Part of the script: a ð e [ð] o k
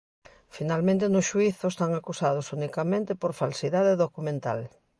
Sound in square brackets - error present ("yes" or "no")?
no